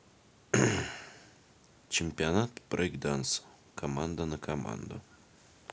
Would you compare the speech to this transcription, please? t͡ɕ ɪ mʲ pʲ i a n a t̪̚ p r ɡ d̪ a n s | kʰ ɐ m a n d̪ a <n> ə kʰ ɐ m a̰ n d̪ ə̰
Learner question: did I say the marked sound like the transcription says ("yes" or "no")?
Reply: yes